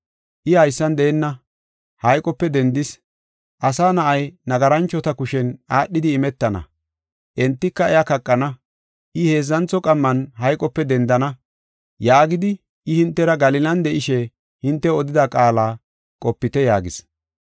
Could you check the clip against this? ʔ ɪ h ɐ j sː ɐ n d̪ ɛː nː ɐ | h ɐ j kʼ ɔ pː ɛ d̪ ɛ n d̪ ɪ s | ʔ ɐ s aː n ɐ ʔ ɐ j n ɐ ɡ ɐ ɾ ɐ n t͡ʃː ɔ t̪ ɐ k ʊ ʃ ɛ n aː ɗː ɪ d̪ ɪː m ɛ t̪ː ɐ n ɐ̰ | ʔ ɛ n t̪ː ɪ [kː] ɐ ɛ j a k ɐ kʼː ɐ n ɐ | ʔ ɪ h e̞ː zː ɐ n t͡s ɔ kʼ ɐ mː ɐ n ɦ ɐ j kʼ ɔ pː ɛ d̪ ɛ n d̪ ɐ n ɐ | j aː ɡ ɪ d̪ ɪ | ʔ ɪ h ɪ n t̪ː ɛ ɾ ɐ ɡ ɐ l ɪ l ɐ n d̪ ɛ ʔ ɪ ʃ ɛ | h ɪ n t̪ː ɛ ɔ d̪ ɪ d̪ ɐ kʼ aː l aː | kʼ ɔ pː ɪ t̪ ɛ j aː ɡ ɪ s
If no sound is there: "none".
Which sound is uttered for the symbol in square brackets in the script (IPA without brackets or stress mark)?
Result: kː